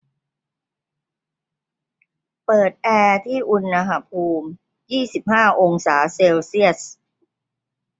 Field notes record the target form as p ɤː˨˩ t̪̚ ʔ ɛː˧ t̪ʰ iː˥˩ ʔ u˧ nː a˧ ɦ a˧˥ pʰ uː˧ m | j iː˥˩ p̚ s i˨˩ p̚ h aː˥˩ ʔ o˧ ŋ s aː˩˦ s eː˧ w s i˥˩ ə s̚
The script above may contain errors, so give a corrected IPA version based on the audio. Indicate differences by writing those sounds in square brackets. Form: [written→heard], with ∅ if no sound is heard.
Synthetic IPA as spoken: p ɤː˨˩ t̪̚ ʔ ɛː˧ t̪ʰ iː˥˩ ʔ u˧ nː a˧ ɦ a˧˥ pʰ uː˧ m | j iː˥˩ [p̚→∅] s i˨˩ p̚ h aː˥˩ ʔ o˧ ŋ s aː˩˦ s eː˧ w s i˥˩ ə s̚